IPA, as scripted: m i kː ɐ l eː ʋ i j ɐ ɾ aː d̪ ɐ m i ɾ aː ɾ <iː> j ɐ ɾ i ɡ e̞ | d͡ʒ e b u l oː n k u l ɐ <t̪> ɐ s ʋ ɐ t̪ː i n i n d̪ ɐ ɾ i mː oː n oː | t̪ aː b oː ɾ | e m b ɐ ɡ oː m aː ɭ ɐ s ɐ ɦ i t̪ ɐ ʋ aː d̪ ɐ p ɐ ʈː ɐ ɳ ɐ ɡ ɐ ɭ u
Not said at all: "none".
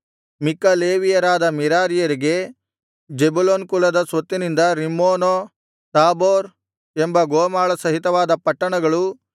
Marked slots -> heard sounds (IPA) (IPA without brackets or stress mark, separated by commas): i, d̪